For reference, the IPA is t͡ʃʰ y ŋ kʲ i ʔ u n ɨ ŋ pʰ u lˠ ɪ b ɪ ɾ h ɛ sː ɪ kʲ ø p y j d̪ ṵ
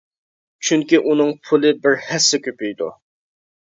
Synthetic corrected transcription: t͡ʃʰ y ŋ kʲ i ʔ u n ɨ ŋ pʰ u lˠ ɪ b ɪ ɾ h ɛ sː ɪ kʲ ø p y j d̪ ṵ